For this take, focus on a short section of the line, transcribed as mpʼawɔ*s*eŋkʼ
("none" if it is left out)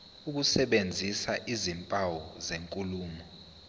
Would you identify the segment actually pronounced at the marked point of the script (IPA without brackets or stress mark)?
z